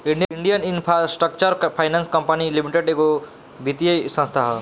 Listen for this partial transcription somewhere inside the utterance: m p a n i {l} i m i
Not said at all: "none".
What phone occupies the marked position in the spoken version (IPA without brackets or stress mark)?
l